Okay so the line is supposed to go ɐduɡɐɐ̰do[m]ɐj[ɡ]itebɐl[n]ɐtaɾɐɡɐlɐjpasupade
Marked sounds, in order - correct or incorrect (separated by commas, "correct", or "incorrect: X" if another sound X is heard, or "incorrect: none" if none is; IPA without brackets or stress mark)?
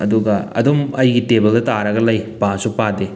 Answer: correct, correct, incorrect: d